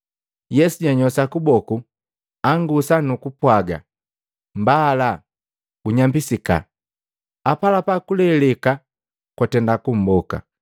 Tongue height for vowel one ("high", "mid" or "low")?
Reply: mid